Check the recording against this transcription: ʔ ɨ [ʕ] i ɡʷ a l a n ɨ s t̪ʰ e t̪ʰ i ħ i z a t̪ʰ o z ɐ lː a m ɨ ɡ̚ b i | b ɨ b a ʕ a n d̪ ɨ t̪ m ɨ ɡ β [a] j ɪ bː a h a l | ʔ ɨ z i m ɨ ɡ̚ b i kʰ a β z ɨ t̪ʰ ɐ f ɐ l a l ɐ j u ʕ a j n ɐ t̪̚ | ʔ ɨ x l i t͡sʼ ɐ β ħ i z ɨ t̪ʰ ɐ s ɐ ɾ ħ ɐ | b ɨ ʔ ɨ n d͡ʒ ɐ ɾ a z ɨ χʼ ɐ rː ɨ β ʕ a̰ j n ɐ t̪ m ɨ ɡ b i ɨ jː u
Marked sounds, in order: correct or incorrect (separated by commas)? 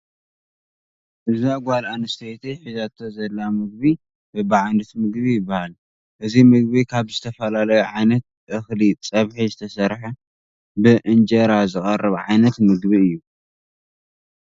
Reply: incorrect, incorrect